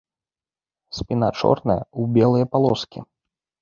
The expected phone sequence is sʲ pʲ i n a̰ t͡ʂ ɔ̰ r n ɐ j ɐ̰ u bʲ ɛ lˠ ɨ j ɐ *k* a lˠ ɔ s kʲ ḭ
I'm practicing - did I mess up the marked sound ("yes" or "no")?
yes